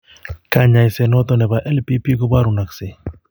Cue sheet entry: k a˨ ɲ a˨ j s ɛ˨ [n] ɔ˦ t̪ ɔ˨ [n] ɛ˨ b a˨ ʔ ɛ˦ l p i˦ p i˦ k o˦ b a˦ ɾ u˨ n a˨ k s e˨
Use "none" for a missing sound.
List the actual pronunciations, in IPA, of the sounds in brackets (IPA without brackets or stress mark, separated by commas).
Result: n, n